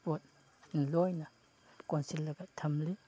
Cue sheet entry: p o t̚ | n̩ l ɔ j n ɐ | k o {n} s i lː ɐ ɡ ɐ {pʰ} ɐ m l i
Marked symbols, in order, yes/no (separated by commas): yes, no